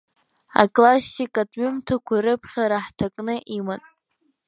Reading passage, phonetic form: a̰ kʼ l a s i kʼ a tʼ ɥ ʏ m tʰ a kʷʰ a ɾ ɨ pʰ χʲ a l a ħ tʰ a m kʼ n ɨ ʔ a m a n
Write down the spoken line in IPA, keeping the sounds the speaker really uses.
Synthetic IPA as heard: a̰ kʼ l a s i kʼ a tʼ ɥ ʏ m tʰ a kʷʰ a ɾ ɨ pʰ χʲ a ɾ a ħ tʰ a kʼ n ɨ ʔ i m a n